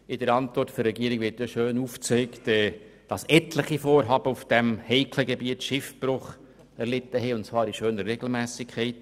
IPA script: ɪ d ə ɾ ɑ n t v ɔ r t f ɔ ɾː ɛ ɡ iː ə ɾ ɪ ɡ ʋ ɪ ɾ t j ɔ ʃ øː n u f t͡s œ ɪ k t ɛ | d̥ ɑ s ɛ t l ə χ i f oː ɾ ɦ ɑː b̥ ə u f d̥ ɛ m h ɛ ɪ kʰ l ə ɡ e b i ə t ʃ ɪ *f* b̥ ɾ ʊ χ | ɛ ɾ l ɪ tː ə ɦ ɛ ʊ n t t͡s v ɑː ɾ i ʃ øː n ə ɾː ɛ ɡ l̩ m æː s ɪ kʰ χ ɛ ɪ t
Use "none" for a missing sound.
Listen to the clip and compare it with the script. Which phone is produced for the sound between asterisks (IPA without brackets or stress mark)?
f